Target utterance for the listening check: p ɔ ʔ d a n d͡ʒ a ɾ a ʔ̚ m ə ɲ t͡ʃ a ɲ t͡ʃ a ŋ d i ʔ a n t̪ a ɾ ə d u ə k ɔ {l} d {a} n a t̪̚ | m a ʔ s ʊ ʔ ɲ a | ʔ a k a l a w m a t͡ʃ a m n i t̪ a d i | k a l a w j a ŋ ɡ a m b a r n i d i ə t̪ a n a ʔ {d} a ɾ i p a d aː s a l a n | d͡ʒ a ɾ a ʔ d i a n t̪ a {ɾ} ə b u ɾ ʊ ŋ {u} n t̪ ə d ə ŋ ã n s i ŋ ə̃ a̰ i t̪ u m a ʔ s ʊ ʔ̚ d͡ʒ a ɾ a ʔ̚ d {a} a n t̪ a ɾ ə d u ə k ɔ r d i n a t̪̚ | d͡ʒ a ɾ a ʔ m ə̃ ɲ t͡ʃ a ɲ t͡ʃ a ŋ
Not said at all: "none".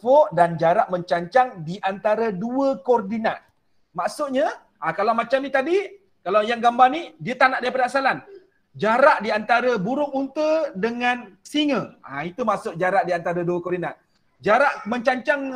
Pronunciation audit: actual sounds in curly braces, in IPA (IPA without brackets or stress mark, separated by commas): r, i, d, ɾ, u, i